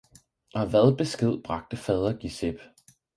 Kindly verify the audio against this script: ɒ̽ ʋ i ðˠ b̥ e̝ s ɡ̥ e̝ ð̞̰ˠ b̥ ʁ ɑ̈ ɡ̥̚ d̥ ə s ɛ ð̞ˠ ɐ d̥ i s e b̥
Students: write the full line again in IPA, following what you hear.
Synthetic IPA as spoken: ɒ̽ ʋ æ ðˠ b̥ e̝ s ɡ̥ e̝ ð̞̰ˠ b̥ ʁ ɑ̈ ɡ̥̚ d̥ ə f ɛ ð̞ˠ ɐ ɡ̥ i s e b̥